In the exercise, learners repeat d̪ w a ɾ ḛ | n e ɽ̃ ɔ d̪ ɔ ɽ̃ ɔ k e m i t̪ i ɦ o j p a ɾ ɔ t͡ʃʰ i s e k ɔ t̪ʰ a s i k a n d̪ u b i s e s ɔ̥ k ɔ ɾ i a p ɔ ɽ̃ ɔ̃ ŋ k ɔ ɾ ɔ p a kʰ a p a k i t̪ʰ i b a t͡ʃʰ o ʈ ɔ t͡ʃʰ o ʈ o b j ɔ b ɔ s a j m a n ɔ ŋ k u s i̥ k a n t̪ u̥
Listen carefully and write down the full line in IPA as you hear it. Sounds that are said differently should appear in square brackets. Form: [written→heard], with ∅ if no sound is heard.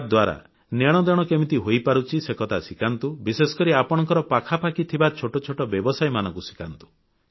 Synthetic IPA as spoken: d̪ w a ɾ [ḛ→a̰] | n e ɽ̃ ɔ d̪ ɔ ɽ̃ ɔ k e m i t̪ i ɦ o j p a ɾ [ɔ→u] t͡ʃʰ i s e k ɔ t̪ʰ a s i k a n [d̪→t̪] u b i s e s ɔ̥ k ɔ ɾ i a p ɔ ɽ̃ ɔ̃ ŋ k ɔ ɾ ɔ p a kʰ a p a k i t̪ʰ i b a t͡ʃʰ o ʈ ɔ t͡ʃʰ o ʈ [o→ɔ] b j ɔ b ɔ s a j m a n ɔ ŋ k u s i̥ k a n t̪ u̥

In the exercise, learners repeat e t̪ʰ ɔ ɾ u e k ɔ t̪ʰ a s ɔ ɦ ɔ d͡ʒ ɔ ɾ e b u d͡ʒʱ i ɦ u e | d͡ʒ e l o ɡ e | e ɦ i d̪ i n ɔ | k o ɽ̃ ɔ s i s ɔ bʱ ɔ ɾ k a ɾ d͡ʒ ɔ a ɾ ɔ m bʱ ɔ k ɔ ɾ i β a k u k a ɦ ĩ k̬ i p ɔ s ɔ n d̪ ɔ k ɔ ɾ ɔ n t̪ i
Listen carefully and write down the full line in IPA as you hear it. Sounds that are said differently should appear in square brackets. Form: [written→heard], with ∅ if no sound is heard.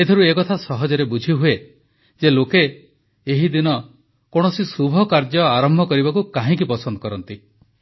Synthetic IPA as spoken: e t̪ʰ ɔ ɾ u e k ɔ t̪ʰ a s ɔ ɦ ɔ d͡ʒ ɔ ɾ e b u d͡ʒʱ i ɦ u e | d͡ʒ e l o [ɡ→k] e | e ɦ i d̪ i n ɔ | k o ɽ̃ ɔ s i s [ɔ→u] bʱ ɔ [ɾ→∅] k a ɾ d͡ʒ ɔ a ɾ ɔ m bʱ ɔ k ɔ ɾ i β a k u k a ɦ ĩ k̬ i p ɔ s ɔ n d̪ ɔ k ɔ ɾ ɔ n t̪ i

